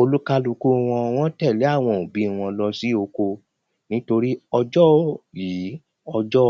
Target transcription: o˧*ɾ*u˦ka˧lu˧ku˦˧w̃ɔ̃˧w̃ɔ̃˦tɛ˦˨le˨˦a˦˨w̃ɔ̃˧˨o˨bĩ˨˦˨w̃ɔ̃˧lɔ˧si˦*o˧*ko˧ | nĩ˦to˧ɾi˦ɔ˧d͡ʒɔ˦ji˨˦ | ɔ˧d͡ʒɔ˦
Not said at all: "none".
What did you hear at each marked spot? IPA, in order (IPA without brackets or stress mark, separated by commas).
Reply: l, o˧